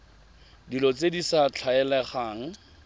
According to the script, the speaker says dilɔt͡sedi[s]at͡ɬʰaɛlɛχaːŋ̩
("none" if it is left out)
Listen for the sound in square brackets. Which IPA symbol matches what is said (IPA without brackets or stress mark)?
s